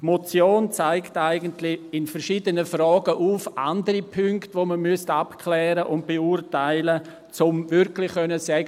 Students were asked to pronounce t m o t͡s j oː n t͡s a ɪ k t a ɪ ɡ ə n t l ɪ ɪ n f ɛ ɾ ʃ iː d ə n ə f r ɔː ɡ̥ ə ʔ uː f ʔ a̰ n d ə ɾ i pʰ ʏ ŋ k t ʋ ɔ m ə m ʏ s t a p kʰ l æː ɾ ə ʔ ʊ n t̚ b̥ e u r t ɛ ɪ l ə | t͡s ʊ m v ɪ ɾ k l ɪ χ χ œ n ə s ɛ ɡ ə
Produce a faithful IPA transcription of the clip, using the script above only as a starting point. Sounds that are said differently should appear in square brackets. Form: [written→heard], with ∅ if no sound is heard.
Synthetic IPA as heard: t m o t͡s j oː n t͡s a ɪ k t a ɪ ɡ ə n t l ɪ ɪ n f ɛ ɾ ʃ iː d ə n ə f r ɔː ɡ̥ ə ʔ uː f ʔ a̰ n d ə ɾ i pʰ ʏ ŋ k t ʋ [ɔ→o] m ə m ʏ s t a p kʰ l [æː→ɛː] ɾ ə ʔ ʊ n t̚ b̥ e u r t [ɛ→a] ɪ l ə | t͡s ʊ m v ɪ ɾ k l ɪ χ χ œ n ə s ɛ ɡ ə